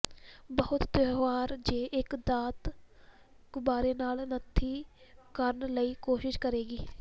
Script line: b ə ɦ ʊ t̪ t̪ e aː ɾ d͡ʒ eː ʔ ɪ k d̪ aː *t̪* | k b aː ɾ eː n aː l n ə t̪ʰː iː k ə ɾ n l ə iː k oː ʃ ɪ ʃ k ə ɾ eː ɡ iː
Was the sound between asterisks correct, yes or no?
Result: yes